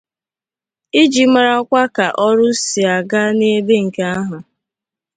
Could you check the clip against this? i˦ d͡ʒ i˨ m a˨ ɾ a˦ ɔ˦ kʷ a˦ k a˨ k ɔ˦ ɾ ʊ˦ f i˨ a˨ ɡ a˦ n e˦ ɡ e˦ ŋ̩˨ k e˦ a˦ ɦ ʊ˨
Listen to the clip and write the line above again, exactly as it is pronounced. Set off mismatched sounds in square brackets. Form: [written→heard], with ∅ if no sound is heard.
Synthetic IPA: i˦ d͡ʒ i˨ m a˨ ɾ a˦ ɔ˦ kʷ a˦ k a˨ [k→ʔ] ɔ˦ ɾ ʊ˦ [f→s] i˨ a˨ ɡ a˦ n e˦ [ɡ→b] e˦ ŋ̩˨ k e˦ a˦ ɦ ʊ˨